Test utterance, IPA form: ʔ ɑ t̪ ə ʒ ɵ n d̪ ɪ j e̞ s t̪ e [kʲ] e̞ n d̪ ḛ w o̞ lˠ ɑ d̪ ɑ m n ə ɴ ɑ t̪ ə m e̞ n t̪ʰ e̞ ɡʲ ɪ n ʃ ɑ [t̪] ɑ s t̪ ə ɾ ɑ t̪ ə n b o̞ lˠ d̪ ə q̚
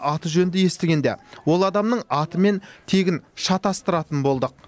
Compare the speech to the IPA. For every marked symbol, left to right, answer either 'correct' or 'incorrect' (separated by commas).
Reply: incorrect, correct